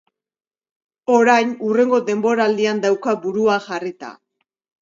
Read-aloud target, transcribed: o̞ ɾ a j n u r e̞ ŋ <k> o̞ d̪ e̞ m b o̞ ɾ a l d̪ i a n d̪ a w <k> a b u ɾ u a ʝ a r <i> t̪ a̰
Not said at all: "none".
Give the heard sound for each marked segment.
ɡ, k, i

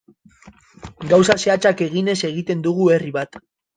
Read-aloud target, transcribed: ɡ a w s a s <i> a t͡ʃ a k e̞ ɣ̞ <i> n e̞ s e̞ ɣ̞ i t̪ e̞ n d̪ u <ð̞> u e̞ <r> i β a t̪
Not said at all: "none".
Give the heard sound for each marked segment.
e, i, ɣ̞, r

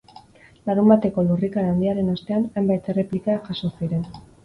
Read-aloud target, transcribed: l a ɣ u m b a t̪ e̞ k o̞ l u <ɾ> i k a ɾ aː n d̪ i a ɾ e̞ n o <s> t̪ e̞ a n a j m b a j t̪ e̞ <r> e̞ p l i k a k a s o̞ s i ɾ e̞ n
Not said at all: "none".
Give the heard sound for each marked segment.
r, s, r

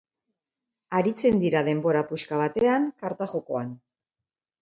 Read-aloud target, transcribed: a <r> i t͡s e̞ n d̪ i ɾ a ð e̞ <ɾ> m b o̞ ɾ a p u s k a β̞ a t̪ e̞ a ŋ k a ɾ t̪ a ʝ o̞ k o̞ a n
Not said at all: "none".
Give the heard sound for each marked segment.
ɾ, none

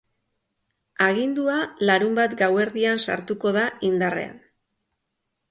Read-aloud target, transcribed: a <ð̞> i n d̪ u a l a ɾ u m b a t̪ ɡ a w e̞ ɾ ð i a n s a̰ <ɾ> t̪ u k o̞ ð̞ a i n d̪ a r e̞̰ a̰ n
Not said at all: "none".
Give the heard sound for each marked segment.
ɣ̞, ɾ

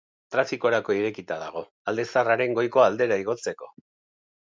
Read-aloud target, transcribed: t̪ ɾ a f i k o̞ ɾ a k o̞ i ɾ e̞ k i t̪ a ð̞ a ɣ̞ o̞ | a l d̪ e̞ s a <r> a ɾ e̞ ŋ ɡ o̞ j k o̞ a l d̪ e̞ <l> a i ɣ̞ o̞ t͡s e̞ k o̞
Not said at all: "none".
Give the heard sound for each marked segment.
r, ɾ

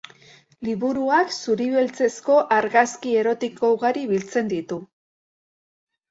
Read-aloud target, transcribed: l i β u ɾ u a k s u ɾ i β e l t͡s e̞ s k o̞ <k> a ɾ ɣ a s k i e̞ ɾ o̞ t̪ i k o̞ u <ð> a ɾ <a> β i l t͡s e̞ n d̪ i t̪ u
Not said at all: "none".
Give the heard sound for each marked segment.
ʔ, ɣ, i

